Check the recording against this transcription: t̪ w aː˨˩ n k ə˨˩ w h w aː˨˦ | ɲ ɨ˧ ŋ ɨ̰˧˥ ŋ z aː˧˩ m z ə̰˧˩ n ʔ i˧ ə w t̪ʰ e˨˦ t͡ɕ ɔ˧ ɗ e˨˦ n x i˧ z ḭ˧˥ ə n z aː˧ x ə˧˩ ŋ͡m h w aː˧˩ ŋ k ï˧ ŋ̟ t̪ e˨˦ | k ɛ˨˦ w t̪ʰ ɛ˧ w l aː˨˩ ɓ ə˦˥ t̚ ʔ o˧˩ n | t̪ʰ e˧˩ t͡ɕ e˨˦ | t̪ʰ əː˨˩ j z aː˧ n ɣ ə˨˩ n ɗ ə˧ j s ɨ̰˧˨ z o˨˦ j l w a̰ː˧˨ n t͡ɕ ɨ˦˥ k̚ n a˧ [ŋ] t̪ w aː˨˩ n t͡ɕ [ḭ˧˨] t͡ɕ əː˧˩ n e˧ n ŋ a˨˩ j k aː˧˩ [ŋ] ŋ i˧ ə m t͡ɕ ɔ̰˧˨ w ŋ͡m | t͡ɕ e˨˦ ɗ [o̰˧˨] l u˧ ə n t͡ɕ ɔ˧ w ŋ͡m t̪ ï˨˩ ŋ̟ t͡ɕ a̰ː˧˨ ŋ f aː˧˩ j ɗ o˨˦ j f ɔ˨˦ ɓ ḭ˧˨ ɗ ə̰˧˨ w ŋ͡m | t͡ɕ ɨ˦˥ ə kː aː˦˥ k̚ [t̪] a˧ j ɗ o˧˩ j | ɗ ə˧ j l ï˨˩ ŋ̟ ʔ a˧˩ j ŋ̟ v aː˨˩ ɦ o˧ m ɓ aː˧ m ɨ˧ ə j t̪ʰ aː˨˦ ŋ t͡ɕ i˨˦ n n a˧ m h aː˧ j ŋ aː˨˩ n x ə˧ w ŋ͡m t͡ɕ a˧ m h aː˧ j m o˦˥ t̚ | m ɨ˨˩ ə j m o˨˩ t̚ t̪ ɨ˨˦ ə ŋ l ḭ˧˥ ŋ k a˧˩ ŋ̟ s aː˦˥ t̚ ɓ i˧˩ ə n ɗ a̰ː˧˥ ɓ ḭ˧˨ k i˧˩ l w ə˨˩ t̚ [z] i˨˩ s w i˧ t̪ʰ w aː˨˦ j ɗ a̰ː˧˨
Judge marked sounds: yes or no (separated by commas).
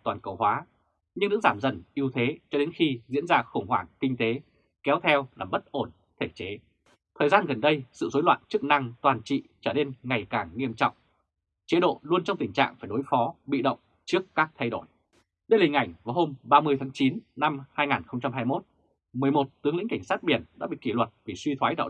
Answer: yes, yes, yes, yes, no, no